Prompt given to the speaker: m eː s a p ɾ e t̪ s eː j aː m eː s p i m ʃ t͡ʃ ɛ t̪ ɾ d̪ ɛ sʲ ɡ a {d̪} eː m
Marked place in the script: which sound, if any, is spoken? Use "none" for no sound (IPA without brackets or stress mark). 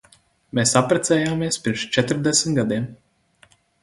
d̪